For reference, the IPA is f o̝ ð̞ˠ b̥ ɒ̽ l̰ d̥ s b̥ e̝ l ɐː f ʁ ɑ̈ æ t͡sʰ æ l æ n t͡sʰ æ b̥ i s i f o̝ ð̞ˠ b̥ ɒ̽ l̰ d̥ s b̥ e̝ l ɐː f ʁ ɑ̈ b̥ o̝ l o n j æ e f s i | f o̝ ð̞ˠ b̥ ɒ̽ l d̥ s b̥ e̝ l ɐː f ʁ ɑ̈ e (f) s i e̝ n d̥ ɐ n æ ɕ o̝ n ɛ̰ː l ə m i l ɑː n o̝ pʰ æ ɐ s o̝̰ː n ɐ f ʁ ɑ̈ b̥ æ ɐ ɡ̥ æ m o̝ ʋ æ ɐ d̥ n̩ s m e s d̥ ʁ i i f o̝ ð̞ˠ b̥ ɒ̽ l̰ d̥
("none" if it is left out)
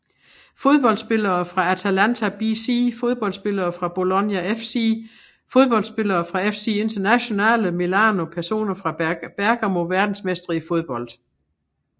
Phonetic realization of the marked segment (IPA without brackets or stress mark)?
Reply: f